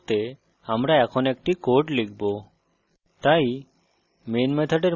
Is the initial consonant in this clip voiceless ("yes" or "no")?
yes